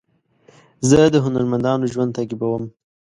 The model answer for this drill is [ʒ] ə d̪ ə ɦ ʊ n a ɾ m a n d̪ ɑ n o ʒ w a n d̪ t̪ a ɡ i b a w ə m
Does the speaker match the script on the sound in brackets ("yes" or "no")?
no